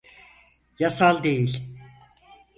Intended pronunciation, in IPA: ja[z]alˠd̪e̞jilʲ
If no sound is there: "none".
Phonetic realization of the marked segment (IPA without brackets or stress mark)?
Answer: s